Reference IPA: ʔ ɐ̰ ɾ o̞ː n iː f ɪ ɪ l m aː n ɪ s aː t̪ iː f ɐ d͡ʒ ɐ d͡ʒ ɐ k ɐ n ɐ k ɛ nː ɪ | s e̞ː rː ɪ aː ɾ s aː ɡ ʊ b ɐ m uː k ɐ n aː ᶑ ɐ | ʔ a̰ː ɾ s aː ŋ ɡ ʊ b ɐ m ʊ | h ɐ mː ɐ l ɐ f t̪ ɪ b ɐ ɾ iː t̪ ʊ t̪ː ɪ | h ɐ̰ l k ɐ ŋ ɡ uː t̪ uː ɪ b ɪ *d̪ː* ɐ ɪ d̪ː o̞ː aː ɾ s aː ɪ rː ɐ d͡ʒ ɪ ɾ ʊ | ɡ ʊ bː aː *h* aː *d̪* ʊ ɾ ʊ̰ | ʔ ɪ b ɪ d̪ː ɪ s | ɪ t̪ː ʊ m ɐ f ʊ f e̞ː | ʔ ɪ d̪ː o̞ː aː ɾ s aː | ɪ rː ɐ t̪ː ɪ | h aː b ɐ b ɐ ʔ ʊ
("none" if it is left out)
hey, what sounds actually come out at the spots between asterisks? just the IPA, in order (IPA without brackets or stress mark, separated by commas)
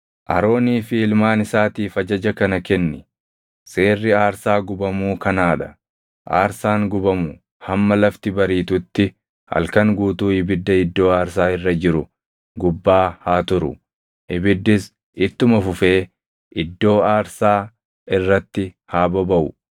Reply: d̪ː, h, t̪